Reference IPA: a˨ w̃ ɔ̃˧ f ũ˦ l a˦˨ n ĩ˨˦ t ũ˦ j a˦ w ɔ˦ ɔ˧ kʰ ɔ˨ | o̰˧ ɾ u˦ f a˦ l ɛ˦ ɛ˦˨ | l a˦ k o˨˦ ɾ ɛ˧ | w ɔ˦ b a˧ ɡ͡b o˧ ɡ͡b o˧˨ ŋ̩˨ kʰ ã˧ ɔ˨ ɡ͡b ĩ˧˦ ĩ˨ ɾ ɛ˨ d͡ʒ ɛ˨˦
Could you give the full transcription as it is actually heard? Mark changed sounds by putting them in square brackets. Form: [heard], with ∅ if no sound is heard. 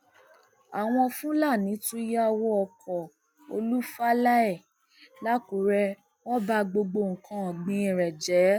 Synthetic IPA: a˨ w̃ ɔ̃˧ f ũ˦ l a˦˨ n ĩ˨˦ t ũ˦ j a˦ w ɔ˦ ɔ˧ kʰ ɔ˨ | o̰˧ [l] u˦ f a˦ l [a˦] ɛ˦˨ | l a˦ k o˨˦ ɾ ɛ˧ | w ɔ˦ b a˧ ɡ͡b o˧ ɡ͡b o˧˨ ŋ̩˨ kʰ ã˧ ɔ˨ ɡ͡b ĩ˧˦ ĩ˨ ɾ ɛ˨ d͡ʒ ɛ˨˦